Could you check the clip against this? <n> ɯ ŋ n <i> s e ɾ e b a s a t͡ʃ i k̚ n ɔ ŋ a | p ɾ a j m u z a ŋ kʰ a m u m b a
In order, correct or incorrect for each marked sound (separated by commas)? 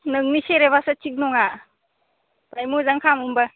correct, correct